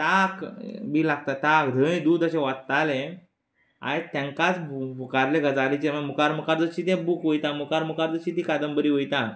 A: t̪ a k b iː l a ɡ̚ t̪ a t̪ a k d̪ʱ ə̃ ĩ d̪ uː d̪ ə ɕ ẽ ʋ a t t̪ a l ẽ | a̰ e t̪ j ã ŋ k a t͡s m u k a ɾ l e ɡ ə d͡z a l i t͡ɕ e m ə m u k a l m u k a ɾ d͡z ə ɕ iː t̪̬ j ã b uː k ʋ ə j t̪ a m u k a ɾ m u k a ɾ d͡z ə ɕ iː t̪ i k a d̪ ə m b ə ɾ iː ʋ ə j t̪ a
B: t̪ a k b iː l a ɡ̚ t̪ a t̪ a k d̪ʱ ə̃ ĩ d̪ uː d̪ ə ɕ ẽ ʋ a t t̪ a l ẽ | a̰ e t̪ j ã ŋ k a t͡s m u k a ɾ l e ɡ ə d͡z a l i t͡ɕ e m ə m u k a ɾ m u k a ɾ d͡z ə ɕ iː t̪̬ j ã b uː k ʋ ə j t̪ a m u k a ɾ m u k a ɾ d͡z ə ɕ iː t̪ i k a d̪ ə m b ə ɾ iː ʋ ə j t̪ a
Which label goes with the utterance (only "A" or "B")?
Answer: B